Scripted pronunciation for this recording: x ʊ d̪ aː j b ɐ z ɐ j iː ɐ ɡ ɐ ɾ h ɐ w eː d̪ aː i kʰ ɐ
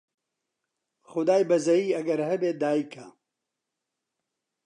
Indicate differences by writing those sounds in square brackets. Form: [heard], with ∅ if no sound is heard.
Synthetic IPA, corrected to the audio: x ʊ d̪ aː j b ɐ z ɐ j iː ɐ ɡ ɐ ɾ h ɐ [b] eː d̪ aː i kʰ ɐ

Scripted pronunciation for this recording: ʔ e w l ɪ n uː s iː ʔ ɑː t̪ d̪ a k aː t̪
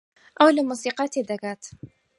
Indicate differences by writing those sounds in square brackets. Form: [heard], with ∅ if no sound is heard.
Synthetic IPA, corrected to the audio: ʔ [a] w l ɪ [m] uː s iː [q] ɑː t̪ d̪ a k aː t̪

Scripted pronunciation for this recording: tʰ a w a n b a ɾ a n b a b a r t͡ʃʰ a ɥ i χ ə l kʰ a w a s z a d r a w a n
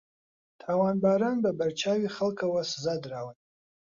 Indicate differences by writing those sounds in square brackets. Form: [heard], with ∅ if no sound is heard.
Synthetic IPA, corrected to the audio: tʰ a w a n b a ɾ a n b a b a r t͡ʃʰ a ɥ i χ ə l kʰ a w a s z a d r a w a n

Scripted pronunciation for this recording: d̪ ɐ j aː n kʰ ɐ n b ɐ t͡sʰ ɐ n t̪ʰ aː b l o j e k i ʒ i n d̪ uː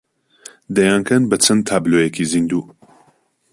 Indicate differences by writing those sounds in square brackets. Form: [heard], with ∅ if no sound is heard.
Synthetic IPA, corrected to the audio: d̪ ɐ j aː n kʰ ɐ n b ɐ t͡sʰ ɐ n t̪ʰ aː b l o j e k i [z] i n d̪ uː

